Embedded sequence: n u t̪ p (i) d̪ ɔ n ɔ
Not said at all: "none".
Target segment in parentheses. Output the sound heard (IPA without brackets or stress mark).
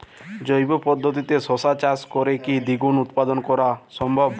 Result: a